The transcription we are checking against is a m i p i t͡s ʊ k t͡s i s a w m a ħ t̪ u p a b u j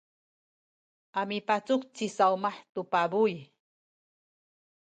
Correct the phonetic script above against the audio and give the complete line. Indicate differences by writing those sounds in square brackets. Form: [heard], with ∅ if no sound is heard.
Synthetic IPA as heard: a m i p [a] t͡s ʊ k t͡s i s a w m a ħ t̪ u p a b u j